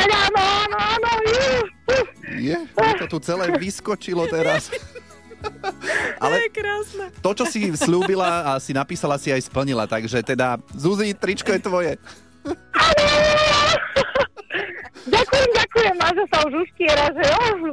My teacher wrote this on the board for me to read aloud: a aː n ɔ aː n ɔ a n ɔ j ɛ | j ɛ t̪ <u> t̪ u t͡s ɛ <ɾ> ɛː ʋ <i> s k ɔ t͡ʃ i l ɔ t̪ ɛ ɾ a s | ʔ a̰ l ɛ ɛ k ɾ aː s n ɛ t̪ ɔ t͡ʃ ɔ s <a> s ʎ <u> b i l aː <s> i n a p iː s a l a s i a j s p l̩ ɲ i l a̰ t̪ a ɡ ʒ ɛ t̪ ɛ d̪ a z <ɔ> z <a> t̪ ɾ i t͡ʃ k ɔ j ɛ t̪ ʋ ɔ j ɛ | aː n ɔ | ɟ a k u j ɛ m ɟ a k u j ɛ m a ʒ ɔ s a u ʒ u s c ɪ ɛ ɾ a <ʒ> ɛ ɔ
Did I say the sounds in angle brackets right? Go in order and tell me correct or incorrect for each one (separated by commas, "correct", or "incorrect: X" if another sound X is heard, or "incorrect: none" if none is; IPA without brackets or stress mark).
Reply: incorrect: ɔ, incorrect: l, correct, incorrect: i, incorrect: uː, correct, incorrect: u, incorrect: i, correct